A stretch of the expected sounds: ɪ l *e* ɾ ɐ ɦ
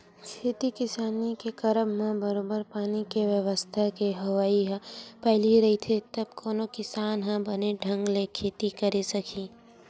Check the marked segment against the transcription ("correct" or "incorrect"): incorrect